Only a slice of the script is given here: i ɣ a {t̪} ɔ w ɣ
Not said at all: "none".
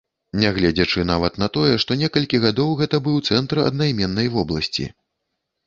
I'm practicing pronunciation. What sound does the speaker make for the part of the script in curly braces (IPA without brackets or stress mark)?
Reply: d̪